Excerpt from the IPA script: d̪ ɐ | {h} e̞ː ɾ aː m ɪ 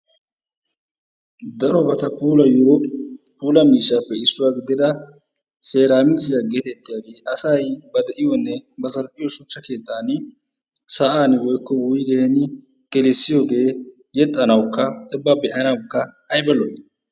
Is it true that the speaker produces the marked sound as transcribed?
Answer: no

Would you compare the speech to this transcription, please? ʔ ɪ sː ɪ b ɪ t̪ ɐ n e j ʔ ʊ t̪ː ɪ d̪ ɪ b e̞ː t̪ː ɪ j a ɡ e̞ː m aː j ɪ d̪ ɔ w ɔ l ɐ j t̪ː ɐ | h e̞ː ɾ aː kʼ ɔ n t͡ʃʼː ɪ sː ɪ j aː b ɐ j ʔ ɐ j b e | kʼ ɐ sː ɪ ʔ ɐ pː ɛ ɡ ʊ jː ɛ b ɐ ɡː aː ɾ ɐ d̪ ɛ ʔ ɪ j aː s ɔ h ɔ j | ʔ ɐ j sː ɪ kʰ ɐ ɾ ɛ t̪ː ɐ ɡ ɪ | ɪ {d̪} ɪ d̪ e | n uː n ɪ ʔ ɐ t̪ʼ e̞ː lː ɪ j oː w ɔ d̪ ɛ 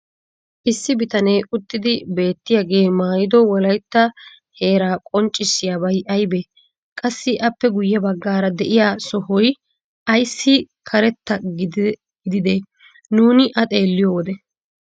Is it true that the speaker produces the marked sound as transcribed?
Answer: yes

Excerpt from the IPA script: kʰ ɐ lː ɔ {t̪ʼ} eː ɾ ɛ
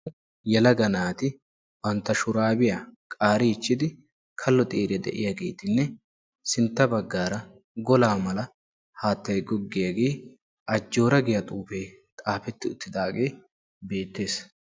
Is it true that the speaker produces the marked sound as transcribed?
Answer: yes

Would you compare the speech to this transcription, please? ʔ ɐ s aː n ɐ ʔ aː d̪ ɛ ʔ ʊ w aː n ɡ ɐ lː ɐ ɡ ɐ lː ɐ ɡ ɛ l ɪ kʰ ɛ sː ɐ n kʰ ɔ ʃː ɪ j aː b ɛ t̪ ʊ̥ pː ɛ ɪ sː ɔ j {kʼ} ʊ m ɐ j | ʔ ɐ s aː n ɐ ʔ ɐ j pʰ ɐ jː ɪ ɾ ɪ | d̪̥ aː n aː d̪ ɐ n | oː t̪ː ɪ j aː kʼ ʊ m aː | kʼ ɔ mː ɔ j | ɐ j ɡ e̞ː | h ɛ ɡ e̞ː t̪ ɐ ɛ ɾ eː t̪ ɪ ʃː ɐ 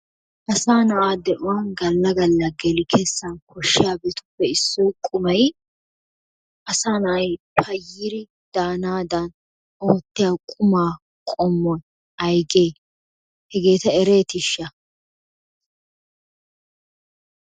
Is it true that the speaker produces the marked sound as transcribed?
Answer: yes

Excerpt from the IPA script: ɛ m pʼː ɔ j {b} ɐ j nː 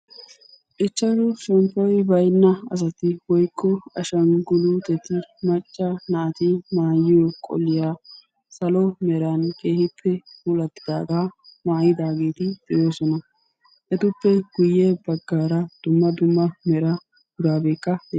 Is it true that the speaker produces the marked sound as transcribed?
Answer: yes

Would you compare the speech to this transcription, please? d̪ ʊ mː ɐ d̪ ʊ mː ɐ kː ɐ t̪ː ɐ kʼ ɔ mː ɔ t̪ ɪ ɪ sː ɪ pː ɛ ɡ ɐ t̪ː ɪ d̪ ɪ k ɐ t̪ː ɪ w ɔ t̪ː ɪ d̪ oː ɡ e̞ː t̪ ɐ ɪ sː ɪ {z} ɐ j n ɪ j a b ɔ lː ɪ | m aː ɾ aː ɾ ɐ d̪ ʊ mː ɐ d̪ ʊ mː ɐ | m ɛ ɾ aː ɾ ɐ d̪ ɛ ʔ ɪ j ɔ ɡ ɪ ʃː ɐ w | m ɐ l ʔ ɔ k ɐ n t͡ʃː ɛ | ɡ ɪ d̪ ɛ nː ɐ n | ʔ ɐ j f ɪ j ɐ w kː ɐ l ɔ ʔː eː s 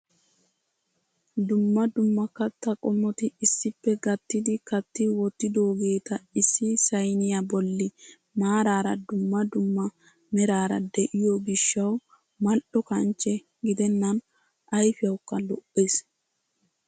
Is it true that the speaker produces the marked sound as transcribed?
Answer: no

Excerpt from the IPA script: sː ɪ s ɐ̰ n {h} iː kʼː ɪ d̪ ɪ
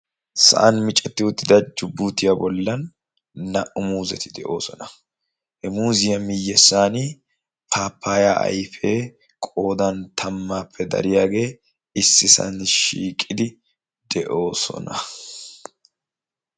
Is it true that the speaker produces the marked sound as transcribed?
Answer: no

